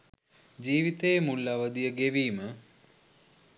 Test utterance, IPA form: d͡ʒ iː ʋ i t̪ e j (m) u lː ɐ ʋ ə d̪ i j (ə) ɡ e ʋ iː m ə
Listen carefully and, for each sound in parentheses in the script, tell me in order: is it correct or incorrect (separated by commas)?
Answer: correct, correct